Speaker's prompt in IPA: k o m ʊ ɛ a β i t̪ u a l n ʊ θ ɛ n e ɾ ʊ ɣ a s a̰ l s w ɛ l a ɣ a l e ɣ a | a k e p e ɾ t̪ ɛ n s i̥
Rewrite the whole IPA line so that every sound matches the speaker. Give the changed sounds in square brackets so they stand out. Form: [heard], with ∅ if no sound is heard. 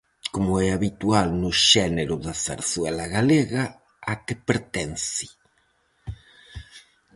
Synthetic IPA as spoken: k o m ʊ ɛ a β i t̪ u a l n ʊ [ʃ] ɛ n e ɾ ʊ [ð] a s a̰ [ɾ] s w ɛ l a ɣ a l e ɣ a | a k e p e ɾ t̪ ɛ n s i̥